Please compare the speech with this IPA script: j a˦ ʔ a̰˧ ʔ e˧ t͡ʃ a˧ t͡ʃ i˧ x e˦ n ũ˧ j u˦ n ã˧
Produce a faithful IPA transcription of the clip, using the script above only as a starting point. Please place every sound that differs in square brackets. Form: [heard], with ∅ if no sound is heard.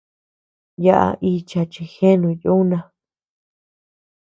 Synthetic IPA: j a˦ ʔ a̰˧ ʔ [i˧] t͡ʃ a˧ t͡ʃ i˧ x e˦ n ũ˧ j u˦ n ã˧